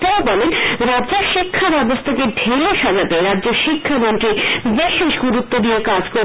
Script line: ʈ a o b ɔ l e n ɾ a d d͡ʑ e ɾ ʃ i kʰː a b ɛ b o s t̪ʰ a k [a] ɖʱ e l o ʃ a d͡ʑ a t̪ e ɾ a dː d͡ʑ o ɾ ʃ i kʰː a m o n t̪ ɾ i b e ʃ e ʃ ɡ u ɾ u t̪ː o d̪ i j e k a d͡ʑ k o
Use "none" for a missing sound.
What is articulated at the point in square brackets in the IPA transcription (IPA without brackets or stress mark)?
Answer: e